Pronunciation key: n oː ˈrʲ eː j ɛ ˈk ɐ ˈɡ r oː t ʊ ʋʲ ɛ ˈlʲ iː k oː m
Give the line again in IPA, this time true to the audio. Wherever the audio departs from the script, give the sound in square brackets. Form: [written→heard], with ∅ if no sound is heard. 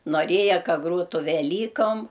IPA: n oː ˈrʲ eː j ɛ ˈk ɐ ˈɡ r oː t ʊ ʋʲ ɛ ˈlʲ iː k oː m